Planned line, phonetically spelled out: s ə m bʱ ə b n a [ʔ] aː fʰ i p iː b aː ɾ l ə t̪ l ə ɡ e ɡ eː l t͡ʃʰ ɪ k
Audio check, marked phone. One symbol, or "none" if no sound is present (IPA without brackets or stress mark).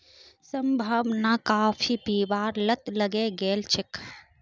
k